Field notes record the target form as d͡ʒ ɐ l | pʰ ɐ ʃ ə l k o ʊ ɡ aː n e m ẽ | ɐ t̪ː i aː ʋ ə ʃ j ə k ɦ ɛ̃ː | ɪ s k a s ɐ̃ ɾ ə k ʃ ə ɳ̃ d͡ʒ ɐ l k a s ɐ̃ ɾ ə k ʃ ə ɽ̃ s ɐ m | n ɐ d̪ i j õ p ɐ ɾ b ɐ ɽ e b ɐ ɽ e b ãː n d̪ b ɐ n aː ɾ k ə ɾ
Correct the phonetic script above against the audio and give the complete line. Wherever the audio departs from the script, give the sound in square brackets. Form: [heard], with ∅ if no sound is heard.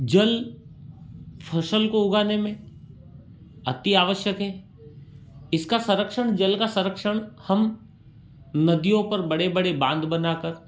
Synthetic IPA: d͡ʒ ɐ l | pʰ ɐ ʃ ə l k o ʊ ɡ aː n e m ẽ | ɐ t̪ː i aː ʋ ə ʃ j ə k ɦ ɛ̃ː | ɪ s k a s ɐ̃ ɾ ə k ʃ ə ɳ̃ d͡ʒ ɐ l k a s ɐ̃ ɾ ə k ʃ ə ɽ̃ [h] ɐ m | n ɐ d̪ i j õ p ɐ ɾ b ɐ ɽ e b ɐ ɽ e b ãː n d̪ b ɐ n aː [∅] k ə ɾ

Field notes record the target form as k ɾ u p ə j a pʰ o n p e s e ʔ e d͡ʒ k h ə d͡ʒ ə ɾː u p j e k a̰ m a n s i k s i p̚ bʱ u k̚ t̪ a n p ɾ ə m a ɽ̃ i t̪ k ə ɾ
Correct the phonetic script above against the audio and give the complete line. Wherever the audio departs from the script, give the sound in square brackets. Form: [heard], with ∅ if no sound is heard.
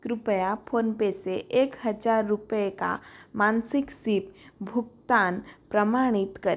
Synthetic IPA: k ɾ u p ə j a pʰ o n p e s e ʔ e [∅] k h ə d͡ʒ [a] ɾː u p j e k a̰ m a n s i k s i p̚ bʱ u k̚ t̪ a n p ɾ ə m a ɽ̃ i t̪ k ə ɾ

